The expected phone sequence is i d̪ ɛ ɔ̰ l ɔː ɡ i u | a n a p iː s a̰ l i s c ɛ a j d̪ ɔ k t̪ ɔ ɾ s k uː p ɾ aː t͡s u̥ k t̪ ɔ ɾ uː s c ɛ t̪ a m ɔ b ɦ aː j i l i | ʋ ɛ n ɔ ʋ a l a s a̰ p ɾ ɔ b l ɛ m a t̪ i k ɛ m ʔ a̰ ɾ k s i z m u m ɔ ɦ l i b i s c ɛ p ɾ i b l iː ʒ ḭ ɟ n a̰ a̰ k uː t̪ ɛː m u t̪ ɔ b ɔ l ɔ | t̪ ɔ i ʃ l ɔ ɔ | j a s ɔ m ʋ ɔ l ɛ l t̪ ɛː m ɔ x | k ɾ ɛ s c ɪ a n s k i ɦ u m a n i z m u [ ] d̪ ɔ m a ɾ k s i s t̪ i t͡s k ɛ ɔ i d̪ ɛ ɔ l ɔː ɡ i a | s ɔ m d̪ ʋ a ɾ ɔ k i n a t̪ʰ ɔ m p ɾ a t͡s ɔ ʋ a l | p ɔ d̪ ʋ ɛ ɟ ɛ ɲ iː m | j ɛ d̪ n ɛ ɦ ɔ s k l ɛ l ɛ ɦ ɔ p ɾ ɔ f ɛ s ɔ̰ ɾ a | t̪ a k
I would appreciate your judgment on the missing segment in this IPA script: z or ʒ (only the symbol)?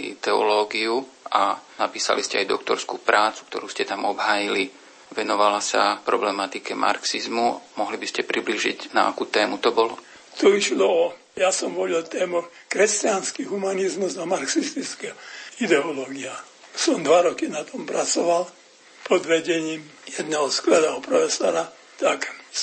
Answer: z